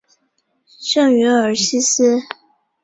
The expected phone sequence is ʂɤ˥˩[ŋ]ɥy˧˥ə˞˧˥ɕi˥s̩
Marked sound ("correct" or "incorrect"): correct